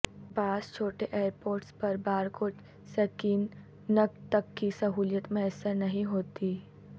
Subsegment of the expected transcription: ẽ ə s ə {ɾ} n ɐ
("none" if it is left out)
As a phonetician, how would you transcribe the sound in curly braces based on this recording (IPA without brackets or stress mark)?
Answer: ɾ